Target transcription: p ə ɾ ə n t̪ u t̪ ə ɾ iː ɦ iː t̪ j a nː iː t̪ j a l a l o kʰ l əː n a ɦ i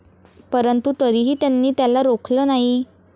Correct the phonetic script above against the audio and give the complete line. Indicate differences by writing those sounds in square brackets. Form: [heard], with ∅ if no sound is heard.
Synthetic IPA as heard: p ə ɾ ə n t̪ u t̪ ə ɾ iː ɦ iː t̪ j a nː iː t̪ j a l a [ɾ] o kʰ l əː n a ɦ i